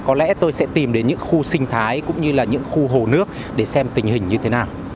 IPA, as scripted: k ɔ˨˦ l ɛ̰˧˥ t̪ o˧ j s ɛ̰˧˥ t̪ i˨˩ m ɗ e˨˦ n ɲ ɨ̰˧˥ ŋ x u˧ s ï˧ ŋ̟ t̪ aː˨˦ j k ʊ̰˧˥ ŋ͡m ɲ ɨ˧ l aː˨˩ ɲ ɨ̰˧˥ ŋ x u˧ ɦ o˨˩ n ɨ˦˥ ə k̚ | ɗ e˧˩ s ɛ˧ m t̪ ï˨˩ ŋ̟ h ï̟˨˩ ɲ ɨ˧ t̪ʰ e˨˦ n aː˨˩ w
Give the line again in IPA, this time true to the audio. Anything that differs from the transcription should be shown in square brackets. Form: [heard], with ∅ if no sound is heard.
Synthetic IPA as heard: k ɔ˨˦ l ɛ̰˧˥ t̪ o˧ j s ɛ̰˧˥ t̪ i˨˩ m ɗ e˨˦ n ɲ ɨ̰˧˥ ŋ x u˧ s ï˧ ŋ̟ [t̪ʰ] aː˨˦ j k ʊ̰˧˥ ŋ͡m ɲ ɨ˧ l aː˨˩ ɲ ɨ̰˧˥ ŋ x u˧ ɦ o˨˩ n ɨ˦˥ ə k̚ | ɗ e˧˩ s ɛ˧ m t̪ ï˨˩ ŋ̟ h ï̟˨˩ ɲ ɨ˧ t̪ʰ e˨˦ n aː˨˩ w